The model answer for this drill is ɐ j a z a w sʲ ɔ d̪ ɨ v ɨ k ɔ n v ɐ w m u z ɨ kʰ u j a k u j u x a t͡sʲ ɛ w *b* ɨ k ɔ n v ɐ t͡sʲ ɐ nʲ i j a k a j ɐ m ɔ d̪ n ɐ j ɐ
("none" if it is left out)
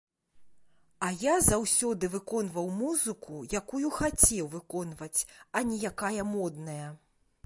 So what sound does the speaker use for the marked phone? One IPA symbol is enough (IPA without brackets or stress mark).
v